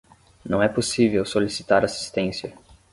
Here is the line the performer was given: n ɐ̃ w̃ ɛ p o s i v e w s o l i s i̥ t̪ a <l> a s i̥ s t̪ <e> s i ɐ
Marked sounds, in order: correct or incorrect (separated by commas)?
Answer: incorrect, incorrect